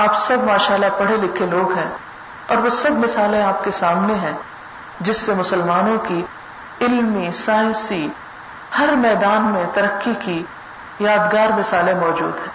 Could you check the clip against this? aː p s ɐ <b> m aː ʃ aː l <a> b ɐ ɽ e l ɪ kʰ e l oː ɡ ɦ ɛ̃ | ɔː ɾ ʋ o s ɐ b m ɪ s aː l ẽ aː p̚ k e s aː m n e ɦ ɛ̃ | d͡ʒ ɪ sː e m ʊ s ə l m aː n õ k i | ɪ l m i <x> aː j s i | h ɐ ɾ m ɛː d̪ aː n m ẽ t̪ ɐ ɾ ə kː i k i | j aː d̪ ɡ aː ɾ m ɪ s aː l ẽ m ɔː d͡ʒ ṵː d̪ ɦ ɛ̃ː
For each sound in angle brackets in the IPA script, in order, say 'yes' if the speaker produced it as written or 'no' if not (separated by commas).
yes, yes, no